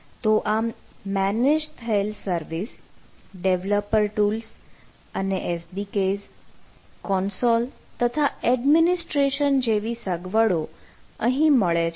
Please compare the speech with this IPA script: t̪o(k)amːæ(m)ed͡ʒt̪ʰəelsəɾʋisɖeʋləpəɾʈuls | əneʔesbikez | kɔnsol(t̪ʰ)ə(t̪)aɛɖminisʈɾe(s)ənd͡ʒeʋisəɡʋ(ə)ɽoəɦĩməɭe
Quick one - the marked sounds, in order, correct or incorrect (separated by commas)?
incorrect, incorrect, incorrect, incorrect, incorrect, correct